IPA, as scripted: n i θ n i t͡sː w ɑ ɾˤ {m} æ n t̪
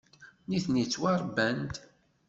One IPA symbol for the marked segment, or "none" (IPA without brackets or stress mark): b